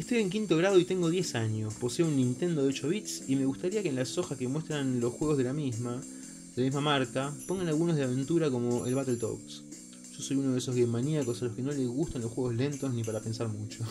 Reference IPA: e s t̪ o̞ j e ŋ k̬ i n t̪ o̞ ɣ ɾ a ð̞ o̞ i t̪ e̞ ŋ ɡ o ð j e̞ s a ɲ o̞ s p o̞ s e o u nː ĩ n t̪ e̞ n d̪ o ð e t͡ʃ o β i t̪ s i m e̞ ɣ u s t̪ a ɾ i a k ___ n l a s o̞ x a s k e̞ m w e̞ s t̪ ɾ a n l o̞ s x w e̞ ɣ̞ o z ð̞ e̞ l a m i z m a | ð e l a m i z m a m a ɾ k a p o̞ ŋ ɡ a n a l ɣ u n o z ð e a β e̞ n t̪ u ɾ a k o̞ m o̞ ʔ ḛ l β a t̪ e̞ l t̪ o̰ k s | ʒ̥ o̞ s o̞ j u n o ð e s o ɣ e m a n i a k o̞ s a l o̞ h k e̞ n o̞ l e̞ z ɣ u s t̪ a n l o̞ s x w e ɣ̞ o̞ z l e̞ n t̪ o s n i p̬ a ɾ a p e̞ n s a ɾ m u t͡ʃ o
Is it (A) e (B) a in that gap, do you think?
A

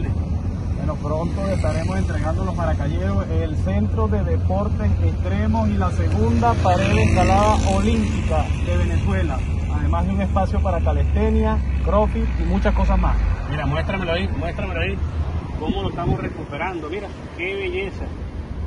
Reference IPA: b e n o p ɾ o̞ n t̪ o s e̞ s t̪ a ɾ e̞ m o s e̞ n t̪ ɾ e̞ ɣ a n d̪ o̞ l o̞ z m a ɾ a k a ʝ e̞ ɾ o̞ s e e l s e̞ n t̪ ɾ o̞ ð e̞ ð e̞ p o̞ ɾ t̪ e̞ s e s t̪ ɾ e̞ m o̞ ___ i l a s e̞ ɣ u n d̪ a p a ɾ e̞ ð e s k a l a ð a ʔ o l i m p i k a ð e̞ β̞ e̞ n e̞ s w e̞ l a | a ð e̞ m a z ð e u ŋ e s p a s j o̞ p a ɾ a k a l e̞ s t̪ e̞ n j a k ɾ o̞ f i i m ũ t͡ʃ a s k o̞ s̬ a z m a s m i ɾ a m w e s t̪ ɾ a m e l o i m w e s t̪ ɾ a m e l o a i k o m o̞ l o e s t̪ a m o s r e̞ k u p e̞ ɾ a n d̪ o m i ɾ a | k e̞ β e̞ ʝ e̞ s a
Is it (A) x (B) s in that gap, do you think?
B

